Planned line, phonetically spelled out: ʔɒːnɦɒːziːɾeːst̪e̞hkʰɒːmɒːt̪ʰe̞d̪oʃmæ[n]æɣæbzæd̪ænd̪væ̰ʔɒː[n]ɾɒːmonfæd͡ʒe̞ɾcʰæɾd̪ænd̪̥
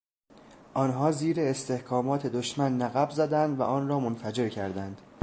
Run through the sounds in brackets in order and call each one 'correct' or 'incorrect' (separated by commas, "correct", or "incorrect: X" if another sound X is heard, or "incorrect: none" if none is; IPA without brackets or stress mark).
incorrect: nː, correct